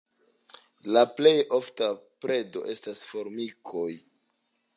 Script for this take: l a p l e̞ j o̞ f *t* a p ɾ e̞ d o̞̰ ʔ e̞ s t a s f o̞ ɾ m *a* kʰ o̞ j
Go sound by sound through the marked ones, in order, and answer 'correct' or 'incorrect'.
correct, incorrect: i

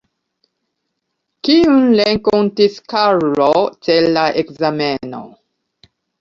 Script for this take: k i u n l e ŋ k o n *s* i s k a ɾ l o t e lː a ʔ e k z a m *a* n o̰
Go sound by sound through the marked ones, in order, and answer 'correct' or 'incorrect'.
incorrect: t, incorrect: e

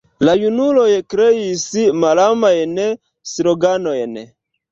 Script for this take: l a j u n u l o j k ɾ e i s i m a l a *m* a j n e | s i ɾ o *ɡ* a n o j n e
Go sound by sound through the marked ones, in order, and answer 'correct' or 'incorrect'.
correct, correct

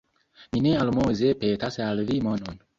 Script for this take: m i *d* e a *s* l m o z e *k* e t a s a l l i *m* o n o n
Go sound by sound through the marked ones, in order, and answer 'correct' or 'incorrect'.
incorrect: n, incorrect: none, incorrect: p, correct

